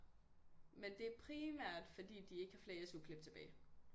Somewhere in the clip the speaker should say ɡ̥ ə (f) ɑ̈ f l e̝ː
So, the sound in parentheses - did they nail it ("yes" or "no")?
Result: no